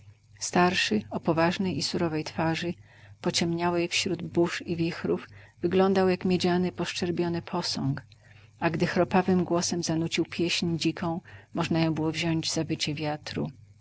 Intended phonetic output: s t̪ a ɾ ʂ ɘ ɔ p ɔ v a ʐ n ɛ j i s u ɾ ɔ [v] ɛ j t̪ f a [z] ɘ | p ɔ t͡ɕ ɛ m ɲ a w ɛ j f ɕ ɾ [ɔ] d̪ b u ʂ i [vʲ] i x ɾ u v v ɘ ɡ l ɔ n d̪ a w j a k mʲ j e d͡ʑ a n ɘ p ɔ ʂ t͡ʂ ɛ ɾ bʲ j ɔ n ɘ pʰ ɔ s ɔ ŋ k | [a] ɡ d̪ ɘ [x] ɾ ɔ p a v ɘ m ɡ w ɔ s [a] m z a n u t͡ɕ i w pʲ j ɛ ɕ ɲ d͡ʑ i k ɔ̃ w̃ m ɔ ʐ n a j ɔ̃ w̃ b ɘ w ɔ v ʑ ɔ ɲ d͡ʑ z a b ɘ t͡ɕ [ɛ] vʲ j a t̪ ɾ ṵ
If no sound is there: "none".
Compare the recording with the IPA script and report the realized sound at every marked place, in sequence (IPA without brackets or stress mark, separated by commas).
v, ʐ, u, vʲ, a, x, ɛ, ɛ